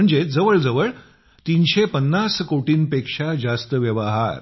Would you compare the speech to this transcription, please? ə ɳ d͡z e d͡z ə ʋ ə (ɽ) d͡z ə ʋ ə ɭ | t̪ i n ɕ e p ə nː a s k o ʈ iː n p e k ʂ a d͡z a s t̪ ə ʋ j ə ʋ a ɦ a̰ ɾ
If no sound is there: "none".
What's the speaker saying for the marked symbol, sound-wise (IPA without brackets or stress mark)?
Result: ɭ